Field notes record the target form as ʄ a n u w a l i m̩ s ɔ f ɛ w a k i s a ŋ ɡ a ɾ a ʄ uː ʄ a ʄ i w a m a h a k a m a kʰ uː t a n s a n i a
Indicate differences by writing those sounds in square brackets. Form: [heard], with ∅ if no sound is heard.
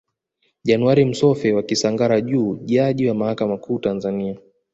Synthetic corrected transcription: ʄ a n u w a [ɾ] i m̩ s ɔ f ɛ w a k i s a ŋ ɡ a ɾ a ʄ uː ʄ a ʄ i w a m a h a k a m a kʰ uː t a n [z] a n i a

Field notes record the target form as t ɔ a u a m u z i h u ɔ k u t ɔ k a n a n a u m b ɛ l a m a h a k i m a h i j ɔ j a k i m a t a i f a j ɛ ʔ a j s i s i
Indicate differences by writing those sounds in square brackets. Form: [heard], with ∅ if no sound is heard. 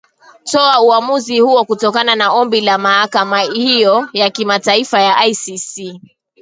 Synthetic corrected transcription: t ɔ a u a m u z i h u ɔ k u t ɔ k a n a n a [ɔ] m b [i] l a m a h a k [a] m a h i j ɔ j a k i m a t a i f a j [a] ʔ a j s i s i

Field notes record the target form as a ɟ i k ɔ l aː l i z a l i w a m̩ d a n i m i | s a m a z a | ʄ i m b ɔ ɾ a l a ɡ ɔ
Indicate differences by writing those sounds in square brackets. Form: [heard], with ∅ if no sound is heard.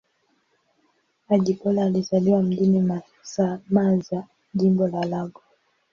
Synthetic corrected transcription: a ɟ i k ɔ l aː l i z a l i w a m̩ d [i] n i m [a] | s a m a z a | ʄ i m b ɔ [l] a l a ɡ ɔ

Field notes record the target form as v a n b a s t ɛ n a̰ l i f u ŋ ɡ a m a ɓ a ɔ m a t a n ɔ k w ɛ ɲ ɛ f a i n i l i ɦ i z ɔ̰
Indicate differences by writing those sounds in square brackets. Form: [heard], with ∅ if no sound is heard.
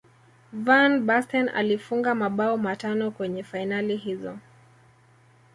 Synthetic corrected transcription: v a n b a s t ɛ n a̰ l i f u ŋ ɡ a m a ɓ a ɔ m a t a n ɔ k w ɛ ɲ ɛ f a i n [a] l i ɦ i z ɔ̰

